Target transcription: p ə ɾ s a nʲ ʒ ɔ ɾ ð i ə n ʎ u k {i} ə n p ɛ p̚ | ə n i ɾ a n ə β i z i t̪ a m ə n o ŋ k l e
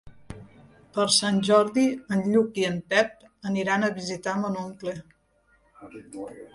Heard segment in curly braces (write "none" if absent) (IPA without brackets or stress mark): i